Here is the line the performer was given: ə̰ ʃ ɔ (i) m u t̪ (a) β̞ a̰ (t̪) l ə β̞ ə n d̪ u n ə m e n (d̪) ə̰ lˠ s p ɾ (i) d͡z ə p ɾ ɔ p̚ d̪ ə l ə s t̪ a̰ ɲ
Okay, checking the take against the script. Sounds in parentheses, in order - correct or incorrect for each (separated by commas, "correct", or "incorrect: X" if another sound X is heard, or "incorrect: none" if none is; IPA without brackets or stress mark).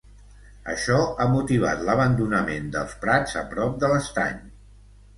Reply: incorrect: a, incorrect: i, correct, correct, incorrect: a